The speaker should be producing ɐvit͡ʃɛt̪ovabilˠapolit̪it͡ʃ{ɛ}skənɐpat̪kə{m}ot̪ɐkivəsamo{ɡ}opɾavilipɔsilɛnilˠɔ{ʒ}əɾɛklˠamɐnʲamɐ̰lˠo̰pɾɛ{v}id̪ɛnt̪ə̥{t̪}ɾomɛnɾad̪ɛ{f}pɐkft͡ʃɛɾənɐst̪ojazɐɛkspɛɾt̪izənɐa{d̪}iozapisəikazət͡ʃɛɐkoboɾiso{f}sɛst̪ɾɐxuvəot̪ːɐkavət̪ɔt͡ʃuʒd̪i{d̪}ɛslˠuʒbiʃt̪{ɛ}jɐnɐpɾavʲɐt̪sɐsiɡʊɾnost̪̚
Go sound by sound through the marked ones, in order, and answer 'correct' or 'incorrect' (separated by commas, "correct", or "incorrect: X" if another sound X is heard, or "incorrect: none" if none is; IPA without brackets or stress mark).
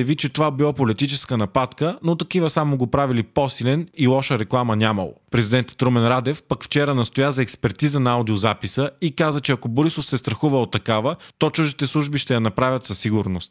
correct, incorrect: n, correct, incorrect: ʃ, incorrect: z, correct, correct, correct, correct, incorrect: t̪, correct